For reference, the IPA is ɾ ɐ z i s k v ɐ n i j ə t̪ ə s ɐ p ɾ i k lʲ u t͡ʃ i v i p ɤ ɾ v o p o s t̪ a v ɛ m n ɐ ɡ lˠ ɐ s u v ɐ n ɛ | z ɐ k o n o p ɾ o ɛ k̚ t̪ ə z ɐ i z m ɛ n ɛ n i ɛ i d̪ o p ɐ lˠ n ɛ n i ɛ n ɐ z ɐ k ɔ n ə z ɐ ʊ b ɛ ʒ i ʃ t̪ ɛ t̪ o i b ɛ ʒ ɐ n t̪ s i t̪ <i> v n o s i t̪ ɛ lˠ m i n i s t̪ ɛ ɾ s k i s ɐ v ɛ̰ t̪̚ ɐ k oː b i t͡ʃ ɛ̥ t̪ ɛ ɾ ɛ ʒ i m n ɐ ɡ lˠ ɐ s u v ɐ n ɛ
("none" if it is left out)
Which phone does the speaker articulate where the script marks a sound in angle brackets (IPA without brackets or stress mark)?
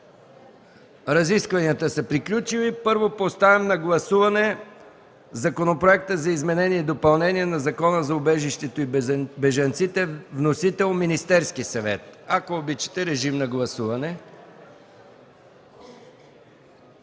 ɛ